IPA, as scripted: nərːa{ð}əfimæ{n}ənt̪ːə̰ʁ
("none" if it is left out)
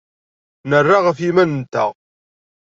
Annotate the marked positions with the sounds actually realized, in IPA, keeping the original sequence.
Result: ʁ, n

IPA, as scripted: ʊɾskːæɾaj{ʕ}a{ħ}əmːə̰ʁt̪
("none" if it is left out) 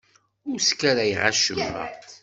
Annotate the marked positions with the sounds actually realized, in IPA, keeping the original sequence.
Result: ʁ, ʃ

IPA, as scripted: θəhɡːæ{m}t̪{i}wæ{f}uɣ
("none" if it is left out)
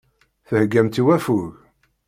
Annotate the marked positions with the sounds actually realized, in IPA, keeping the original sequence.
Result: m, i, f

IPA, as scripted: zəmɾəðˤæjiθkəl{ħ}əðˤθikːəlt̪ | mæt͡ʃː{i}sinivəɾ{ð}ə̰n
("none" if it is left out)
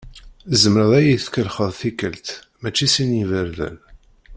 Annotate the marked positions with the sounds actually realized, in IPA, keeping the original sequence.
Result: χ, i, ð

